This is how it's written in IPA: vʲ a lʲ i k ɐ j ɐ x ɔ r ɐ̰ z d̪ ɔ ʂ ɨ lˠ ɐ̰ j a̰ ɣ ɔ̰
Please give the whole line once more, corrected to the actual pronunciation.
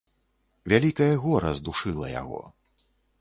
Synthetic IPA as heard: vʲ a lʲ i k ɐ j ɐ ɣ ɔ ɾ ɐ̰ z d̪ u ʂ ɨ lˠ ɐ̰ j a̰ ɣ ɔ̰